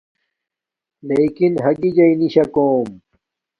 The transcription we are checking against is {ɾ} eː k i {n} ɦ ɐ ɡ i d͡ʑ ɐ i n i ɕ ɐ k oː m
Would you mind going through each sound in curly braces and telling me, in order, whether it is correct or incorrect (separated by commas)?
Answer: incorrect, correct